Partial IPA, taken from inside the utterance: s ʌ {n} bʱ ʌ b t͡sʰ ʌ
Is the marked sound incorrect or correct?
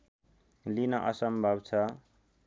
incorrect: m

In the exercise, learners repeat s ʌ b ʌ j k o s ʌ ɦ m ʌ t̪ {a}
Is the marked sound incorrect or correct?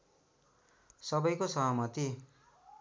incorrect: i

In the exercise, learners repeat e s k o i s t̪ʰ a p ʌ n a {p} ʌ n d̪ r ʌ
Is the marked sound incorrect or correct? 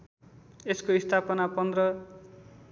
correct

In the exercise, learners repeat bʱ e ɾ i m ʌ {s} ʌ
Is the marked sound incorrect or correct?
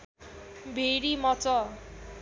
incorrect: t͡s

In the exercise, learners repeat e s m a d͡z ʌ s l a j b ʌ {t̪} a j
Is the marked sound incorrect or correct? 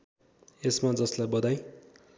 incorrect: d̪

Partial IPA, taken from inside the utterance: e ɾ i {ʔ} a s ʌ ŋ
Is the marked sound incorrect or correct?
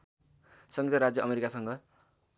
incorrect: k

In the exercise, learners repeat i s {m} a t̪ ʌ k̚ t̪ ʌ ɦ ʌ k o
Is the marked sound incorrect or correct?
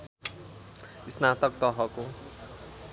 incorrect: n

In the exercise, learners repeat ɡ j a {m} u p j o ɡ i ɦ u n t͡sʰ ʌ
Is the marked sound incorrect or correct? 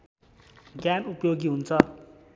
incorrect: n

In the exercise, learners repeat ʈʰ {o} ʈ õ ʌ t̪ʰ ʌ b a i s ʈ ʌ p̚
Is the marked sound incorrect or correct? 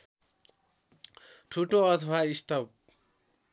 incorrect: u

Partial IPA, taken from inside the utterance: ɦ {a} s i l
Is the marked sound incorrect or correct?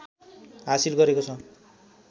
correct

